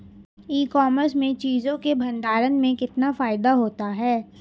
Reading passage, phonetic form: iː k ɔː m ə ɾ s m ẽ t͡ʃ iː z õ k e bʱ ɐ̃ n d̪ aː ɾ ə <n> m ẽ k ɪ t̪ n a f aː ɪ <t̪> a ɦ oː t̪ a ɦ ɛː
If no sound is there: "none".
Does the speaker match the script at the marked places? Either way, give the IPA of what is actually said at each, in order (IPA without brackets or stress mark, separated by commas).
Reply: n, d̪